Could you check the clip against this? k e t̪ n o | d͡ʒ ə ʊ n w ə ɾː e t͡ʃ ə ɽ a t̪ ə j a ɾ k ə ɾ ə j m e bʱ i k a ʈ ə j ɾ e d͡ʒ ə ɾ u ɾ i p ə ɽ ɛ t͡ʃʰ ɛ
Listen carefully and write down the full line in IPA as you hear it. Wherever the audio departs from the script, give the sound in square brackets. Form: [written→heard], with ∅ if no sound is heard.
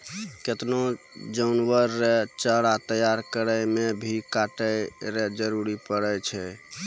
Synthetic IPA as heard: k e t̪ n o | d͡ʒ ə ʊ n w ə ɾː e t͡ʃ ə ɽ a t̪ ə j a ɾ k ə ɾ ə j m e bʱ i k a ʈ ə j ɾ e d͡ʒ ə ɾ u ɾ i p ə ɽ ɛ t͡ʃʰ ɛ